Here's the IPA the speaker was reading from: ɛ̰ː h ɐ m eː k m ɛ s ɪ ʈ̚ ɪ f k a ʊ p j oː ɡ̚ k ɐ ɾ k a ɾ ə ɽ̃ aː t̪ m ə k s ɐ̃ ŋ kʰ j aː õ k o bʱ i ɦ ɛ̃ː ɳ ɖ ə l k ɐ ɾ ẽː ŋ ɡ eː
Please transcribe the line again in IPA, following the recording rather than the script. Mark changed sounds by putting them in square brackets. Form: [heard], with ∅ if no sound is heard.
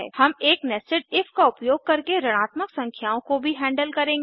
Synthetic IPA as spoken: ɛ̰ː h ɐ m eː k [n] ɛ s ɪ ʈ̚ ɪ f k a ʊ p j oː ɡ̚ k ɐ ɾ k [e] ɾ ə ɽ̃ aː t̪ m ə k s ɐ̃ ŋ kʰ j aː õ k o bʱ i ɦ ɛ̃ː ɳ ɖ ə l k ɐ ɾ ẽː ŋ ɡ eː